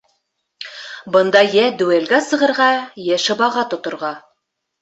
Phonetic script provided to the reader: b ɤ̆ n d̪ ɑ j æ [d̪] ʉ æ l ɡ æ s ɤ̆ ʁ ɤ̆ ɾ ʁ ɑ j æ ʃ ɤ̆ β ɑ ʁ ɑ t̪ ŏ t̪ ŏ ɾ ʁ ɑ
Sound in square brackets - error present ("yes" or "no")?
no